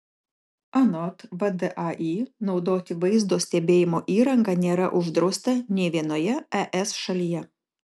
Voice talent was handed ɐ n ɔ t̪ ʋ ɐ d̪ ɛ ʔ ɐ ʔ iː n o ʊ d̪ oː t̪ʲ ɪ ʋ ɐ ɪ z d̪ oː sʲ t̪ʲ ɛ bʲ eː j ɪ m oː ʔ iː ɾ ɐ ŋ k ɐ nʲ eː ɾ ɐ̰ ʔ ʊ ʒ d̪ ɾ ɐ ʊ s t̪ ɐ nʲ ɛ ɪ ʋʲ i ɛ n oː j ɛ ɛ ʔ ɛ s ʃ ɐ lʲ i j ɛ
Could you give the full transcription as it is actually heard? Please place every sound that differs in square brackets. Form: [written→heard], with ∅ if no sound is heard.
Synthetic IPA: ɐ n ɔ t̪ ʋ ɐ d̪ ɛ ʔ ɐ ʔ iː n [o→ɒ] ʊ d̪ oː t̪ʲ ɪ ʋ ɐ ɪ z d̪ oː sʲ t̪ʲ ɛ bʲ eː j ɪ m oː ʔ iː ɾ ɐ ŋ [k→ɡ] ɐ nʲ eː ɾ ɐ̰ ʔ ʊ ʒ d̪ ɾ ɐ ʊ s t̪ ɐ nʲ ɛ ɪ ʋʲ i ɛ n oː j ɛ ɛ ʔ ɛ s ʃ ɐ lʲ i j ɛ